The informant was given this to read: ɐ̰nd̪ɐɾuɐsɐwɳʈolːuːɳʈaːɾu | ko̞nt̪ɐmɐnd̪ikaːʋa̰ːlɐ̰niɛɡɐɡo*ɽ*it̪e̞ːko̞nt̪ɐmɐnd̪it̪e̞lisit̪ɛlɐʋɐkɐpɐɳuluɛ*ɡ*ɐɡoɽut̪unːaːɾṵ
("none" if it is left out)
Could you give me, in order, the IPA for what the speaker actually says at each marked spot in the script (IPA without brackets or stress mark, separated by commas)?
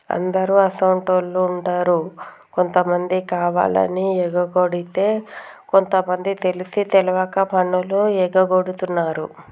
ɽ, ɡ